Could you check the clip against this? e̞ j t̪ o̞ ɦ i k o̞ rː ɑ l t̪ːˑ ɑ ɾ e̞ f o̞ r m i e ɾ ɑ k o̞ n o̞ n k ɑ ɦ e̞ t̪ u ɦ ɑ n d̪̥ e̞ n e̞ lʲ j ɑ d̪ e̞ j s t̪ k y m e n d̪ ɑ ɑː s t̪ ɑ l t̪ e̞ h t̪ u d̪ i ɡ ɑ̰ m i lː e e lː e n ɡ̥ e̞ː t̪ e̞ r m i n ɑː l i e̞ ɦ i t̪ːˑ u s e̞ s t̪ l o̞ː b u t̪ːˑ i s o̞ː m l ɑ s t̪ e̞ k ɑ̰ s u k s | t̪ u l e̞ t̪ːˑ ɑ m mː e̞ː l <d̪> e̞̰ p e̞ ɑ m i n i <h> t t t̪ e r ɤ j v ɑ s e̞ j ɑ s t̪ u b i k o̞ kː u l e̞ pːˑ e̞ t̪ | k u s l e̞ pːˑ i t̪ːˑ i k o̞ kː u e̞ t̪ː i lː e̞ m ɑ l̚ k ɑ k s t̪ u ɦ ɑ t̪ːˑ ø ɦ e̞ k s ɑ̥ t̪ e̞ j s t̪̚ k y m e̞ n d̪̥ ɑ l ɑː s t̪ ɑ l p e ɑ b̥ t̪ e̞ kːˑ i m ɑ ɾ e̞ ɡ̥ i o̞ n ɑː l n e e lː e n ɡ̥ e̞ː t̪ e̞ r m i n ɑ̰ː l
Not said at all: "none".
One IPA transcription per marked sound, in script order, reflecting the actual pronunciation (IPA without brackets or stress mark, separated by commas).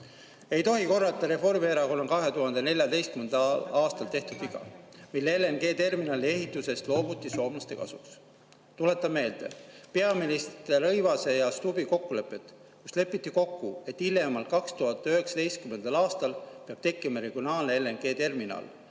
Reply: d̪, s